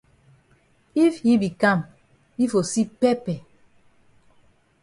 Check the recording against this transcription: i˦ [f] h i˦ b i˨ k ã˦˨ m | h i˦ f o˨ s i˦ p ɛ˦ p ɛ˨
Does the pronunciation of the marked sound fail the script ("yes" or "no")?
no